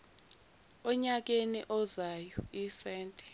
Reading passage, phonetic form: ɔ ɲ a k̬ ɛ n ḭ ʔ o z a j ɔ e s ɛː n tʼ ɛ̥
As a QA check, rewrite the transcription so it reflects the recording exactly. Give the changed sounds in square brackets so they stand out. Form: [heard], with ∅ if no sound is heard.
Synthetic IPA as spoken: ɔ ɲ a k̬ [e] n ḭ ʔ [ɔ] z a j ɔ [i] s ɛː n tʼ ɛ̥